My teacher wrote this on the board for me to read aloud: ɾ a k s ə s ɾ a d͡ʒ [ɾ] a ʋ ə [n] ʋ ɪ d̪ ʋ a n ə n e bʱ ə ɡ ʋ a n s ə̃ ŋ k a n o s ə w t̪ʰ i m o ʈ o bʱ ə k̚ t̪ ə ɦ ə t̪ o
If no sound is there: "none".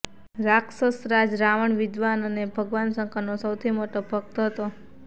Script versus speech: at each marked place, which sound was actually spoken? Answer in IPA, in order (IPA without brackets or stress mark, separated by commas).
ɾ, ɳ